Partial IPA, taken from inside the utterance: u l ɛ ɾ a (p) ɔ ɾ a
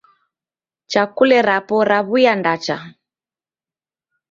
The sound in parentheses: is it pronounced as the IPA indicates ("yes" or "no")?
yes